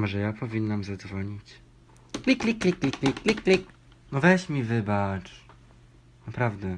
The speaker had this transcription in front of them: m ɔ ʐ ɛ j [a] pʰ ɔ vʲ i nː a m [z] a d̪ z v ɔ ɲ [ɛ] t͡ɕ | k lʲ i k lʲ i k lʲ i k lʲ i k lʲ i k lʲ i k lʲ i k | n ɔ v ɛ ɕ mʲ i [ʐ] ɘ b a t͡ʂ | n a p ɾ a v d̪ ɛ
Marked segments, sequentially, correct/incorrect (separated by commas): correct, correct, incorrect, incorrect